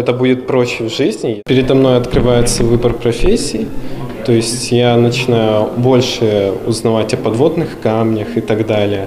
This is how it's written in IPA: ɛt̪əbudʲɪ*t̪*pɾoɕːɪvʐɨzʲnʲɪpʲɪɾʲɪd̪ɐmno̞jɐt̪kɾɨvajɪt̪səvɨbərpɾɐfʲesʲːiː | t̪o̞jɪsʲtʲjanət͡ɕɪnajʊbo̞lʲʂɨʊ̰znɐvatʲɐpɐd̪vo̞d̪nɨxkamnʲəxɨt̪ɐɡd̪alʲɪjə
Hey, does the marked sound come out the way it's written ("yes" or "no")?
yes